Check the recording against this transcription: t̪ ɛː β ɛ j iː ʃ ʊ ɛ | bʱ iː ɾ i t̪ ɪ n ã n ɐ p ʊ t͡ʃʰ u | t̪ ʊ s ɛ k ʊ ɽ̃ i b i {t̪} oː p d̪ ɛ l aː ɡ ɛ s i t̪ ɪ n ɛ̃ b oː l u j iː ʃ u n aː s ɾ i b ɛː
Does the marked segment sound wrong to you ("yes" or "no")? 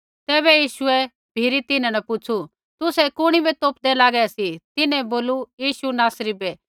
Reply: no